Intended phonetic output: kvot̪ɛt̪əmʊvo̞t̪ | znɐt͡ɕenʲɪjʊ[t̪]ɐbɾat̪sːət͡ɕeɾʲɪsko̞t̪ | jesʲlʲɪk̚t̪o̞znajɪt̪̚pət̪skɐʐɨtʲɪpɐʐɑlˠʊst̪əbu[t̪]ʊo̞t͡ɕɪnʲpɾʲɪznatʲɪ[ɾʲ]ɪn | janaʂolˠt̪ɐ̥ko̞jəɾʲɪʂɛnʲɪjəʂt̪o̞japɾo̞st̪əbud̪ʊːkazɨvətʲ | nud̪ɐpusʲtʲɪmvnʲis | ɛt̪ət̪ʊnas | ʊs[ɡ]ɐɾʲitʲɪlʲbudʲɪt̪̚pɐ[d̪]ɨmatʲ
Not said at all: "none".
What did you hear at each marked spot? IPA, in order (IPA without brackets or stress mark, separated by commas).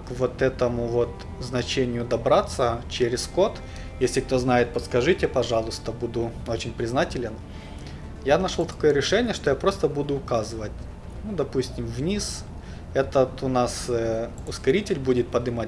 d̪, d̪, lʲ, k, d̪